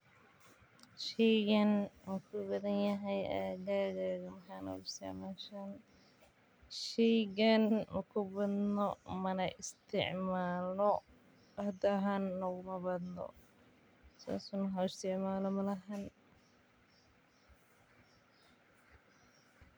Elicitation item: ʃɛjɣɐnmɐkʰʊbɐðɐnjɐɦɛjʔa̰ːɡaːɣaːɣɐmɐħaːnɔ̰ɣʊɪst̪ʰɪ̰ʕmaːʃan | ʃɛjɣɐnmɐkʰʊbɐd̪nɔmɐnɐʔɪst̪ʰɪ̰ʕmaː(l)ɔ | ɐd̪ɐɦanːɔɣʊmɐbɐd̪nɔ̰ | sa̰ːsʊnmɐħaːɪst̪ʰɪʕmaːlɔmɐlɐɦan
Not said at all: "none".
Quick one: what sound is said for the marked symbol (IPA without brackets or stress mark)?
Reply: l